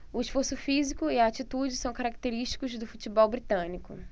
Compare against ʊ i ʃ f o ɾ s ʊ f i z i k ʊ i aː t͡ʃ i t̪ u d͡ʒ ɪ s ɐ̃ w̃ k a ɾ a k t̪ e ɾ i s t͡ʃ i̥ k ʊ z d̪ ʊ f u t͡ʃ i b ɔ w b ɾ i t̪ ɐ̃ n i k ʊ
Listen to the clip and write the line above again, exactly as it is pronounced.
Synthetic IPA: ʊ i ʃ f o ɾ s ʊ f i z i k ʊ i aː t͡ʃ i t̪ u d͡ʒ ɪ s ɐ̃ w̃ k a ɾ a k t̪ e ɾ i ʃ t͡ʃ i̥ k ʊ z d̪ ʊ f u t͡ʃ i b ɔ w b ɾ i t̪ ɐ̃ n i k ʊ